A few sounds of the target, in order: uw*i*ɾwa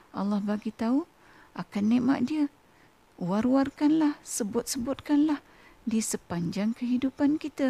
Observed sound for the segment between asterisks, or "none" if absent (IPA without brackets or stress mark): a